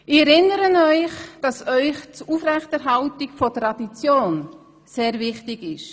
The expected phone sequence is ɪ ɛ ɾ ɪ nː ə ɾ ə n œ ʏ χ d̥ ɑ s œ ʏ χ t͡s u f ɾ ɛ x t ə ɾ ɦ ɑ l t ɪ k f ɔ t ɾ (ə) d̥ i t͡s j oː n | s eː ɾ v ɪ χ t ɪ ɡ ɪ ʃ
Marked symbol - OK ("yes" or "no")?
no